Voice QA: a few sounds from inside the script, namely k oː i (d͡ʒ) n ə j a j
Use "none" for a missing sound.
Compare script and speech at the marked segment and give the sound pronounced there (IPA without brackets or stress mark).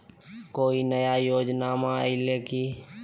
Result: none